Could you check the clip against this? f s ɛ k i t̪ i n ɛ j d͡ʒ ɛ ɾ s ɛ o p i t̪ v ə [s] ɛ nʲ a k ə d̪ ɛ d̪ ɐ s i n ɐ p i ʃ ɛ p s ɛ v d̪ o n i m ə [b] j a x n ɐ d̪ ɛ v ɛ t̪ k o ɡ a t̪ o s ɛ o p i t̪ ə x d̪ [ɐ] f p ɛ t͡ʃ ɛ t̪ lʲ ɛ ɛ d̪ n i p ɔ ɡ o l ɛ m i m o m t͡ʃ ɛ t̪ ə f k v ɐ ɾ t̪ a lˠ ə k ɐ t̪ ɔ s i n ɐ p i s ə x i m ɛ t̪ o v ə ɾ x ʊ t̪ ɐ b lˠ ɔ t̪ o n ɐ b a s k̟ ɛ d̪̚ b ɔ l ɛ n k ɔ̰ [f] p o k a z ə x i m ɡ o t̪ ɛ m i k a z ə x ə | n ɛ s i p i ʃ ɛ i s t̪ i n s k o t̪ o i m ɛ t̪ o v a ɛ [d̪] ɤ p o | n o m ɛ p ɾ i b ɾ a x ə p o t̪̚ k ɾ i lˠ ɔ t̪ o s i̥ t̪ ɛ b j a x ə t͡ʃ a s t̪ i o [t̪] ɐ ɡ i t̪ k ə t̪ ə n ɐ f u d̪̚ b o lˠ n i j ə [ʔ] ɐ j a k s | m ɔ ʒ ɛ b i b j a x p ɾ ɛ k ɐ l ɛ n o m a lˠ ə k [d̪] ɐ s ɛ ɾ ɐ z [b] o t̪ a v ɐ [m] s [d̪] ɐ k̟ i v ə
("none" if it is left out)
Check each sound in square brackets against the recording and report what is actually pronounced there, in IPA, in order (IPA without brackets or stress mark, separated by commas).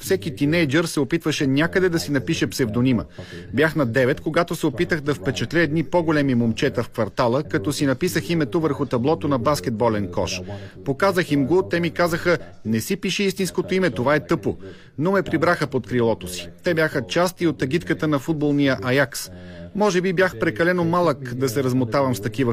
ʃ, b, ɐ, ʃ, t̪, t̪, ʔ, d̪, m, m, t̪